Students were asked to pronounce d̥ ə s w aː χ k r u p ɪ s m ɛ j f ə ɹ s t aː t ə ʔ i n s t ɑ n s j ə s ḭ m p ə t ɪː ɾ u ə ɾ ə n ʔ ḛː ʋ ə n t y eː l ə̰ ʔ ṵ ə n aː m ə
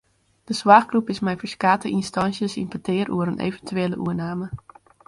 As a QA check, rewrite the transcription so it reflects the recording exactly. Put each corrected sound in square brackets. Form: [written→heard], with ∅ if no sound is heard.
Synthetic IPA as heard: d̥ ə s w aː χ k r u p ɪ s m ɛ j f ə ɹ s [t→k] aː t ə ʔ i n s t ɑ n s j ə s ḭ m p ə t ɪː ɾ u ə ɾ ə n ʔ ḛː [ʋ→v] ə n t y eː l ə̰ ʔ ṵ ə n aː m ə

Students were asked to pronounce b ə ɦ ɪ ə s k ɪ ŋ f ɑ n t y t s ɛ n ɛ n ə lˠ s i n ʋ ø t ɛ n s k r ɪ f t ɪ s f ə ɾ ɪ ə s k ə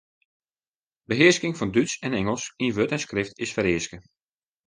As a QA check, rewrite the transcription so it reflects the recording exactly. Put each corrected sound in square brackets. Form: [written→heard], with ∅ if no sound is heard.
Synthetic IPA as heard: b ə ɦ ɪ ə s k ɪ ŋ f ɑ n [t→d] y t s ɛ n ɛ [n→ŋ] ə lˠ s i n ʋ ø t ɛ n s k r ɪ f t ɪ s f ə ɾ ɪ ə s k ə

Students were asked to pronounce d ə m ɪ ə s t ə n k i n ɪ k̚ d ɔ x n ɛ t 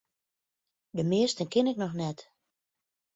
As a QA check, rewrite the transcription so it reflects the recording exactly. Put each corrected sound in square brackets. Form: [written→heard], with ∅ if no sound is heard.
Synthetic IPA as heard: d ə m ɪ ə s t ə n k [i→ɪ] n ɪ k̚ [d→n] ɔ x n ɛ t

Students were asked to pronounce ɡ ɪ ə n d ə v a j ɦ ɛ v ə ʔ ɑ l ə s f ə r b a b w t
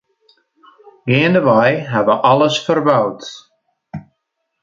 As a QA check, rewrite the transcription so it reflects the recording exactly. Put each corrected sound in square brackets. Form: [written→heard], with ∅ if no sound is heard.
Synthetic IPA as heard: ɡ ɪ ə n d ə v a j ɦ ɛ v ə ʔ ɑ l ə s f ə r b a [b→∅] w t

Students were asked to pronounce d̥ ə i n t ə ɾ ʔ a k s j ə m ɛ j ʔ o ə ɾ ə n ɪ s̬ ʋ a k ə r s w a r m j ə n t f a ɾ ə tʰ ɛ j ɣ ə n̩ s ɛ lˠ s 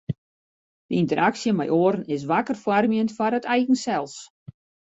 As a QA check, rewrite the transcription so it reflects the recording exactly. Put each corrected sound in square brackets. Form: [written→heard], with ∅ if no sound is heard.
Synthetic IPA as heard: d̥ ə i n t ə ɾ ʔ a k s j ə m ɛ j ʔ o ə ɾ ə n ɪ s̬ ʋ a k ə r [s→f] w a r m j ə n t f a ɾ ə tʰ ɛ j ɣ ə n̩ s ɛ lˠ s

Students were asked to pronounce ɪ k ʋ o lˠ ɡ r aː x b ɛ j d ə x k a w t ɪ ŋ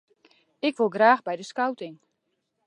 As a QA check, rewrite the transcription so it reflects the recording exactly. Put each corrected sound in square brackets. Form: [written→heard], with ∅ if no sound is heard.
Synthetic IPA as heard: ɪ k ʋ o lˠ ɡ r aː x b ɛ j d ə [x→s] k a w t ɪ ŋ

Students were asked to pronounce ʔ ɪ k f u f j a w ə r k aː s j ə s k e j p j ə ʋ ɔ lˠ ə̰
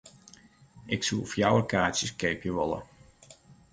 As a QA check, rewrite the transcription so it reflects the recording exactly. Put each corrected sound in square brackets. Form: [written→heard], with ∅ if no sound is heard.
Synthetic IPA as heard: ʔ ɪ k [f→s] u f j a w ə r k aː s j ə s k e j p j ə ʋ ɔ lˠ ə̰

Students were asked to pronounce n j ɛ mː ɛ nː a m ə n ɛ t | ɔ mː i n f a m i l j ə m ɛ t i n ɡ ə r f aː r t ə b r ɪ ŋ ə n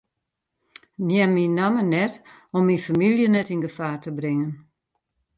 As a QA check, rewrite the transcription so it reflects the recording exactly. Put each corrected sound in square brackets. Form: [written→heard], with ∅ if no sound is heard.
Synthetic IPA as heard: n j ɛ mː [ɛ→i] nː a m ə n ɛ t | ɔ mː i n f a m i l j ə [m→n] ɛ t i n ɡ ə [r→∅] f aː r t ə b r ɪ ŋ ə n

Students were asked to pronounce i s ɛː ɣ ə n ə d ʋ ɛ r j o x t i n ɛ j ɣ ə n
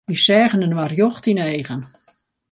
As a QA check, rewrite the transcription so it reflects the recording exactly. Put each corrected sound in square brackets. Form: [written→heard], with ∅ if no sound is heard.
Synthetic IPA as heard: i s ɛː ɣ ə n ə [d→n] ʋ [ɛ→a] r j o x t i n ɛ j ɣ ə n

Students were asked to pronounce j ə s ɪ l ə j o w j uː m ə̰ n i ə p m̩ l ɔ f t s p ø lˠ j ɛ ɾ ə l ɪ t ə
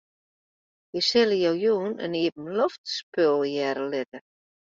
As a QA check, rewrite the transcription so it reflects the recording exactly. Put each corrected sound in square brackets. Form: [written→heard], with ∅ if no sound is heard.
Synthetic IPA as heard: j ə s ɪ l ə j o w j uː [m→n] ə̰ n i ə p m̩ l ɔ f t s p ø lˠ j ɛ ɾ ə l ɪ t ə

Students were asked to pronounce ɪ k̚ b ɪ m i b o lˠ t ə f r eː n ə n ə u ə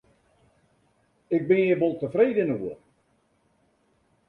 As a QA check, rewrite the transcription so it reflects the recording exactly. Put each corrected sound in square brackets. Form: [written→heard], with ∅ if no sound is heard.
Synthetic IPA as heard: ɪ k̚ b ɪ [m→n] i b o lˠ t ə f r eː [n→d] ə n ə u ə

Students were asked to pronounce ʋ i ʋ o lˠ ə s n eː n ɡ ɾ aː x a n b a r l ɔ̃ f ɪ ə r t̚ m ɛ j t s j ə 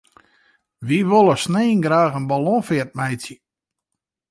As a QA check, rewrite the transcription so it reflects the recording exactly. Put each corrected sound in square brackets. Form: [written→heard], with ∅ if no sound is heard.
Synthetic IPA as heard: ʋ i ʋ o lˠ ə s n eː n ɡ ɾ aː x [a→ə] n b a [r→∅] l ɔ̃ f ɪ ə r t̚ m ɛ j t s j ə

